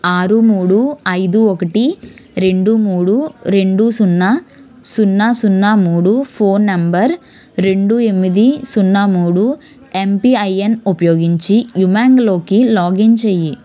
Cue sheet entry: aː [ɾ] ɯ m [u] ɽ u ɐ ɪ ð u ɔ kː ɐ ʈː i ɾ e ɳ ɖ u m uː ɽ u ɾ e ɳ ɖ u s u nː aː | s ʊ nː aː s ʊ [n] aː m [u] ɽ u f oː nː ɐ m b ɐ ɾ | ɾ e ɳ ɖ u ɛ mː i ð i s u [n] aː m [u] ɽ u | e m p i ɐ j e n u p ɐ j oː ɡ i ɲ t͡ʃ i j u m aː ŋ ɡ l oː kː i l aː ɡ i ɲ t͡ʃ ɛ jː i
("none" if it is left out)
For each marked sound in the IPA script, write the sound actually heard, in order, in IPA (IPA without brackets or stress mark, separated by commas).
ɾ, uː, nː, uː, nː, uː